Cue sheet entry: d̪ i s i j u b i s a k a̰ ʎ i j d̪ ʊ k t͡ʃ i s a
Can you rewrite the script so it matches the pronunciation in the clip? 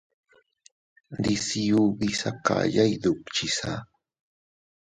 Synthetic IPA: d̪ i s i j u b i s a k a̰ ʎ a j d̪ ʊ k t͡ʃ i s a